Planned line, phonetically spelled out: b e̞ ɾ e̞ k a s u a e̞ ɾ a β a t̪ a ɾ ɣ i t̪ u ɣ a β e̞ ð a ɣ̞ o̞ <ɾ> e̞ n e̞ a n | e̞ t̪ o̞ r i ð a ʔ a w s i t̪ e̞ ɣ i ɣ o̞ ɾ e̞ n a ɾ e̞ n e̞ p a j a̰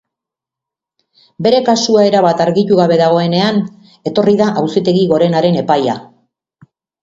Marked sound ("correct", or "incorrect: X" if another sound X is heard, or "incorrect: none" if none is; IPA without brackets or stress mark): incorrect: none